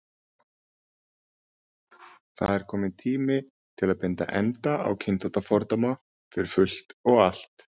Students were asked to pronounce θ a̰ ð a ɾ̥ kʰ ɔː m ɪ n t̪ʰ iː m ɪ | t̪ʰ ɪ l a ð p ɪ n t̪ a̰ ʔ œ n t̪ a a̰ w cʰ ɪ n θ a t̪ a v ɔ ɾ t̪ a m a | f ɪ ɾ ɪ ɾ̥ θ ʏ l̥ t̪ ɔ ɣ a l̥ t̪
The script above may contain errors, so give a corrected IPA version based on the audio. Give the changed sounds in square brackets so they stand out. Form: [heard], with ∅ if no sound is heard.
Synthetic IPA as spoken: θ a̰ ð [ɛ] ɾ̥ kʰ ɔː m ɪ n t̪ʰ iː m ɪ | t̪ʰ ɪ l a ð p ɪ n t̪ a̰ ʔ [ɛ] n t̪ a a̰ w cʰ ɪ n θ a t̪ a [f] ɔ ɾ t̪ a m a | f ɪ ɾ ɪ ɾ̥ [f] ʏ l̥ t̪ ɔ ɣ a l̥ t̪